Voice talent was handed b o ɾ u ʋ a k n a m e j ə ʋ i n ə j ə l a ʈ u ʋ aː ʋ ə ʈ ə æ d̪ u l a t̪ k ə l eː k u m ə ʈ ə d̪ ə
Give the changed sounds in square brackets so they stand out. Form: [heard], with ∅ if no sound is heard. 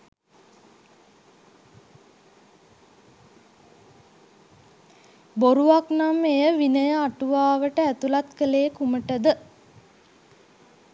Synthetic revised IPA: b o ɾ u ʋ a k n a m e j ə ʋ i n ə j ə [∅] a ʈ u ʋ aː ʋ ə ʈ ə æ [t̪] u l a t̪ k ə l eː k u m ə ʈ ə d̪ ə